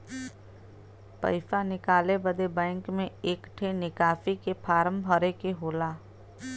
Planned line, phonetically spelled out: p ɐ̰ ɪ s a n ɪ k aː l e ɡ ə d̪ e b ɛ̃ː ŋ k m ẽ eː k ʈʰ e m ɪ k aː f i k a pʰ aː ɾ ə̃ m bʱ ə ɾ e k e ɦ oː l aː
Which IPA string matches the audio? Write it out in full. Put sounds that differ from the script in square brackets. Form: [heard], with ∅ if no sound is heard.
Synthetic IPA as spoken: p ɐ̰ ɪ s a n ɪ k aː l e [b] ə d̪ e b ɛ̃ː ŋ k m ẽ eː k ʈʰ e [n] ɪ k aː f i k [e] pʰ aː ɾ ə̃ m bʱ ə ɾ e k e ɦ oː l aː